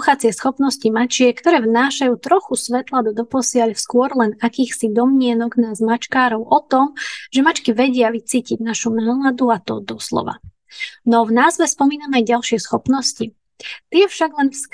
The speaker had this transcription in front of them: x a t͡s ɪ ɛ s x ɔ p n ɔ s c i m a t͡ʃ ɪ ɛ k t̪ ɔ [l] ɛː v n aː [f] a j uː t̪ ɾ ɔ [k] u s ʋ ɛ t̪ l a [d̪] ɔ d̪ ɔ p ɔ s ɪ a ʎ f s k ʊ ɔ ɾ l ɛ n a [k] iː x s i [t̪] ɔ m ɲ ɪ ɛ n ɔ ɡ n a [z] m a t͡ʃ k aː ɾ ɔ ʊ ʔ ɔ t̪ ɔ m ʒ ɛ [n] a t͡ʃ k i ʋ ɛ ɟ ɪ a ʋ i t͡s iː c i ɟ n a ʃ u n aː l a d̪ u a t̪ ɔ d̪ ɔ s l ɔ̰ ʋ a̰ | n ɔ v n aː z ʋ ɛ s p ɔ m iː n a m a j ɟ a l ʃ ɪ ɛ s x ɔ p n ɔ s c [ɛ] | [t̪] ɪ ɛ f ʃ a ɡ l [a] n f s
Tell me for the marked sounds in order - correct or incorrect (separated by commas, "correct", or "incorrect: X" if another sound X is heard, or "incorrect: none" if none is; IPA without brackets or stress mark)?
incorrect: ɾ, incorrect: ʃ, incorrect: x, correct, correct, incorrect: d̪, correct, incorrect: m, incorrect: i, correct, incorrect: ɛ